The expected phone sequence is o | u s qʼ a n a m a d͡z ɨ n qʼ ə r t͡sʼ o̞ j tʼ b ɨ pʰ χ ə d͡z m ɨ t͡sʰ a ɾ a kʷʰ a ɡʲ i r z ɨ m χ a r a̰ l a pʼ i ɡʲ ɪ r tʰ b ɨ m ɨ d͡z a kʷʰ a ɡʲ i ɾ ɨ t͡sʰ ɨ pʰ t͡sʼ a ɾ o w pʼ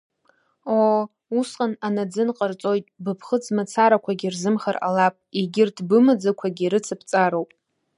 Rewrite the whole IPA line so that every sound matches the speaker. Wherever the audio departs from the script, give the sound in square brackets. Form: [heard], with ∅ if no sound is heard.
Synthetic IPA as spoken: o | u s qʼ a n a [n] a d͡z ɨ n qʼ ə r t͡sʼ o̞ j tʼ b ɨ pʰ χ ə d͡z m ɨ t͡sʰ a ɾ a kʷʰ a ɡʲ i r z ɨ m χ a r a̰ l a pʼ i ɡʲ ɪ r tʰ b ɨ m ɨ d͡z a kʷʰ a ɡʲ i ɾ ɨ t͡sʰ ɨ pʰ t͡sʼ a ɾ o w pʼ